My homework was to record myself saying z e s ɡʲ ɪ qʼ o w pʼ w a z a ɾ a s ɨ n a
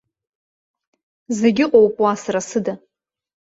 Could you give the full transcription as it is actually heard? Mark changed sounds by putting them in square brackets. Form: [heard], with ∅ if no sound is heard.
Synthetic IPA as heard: z e [∅] ɡʲ ɪ qʼ o w pʼ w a [s] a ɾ a s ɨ [d] a